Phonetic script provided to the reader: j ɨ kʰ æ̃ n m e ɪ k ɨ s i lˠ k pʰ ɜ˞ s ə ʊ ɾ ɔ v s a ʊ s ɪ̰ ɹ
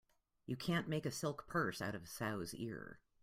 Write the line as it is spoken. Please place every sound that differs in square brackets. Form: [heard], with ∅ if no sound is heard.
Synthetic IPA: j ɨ kʰ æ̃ n m e ɪ k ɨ s [ɪ] lˠ k pʰ ɜ˞ s [a] ʊ ɾ [ʌ] v s a ʊ [z] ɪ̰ ɹ